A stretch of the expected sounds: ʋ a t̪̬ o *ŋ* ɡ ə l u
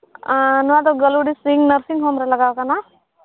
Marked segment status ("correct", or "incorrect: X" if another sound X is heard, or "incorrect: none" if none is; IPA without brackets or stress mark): incorrect: none